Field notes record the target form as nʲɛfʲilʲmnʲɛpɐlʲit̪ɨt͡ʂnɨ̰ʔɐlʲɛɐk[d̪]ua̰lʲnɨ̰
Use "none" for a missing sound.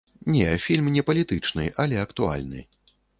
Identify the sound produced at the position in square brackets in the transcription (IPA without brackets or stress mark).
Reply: t̪